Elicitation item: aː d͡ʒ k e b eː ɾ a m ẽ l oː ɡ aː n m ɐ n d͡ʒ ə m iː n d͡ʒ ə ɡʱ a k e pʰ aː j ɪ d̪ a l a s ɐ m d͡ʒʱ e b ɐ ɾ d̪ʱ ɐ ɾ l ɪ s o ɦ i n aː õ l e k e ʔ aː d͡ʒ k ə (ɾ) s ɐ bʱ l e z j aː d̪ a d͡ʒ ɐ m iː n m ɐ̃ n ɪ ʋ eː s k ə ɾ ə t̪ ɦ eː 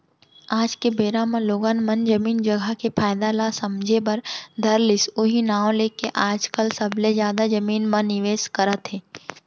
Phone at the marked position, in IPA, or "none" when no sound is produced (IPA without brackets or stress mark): l